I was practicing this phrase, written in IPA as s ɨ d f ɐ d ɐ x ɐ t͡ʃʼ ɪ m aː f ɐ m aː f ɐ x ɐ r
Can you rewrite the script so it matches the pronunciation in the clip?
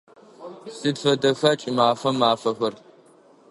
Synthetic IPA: s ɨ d f ɐ d ɐ x ɐ t͡ʃʼ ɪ m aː f ɐ m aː f ɐ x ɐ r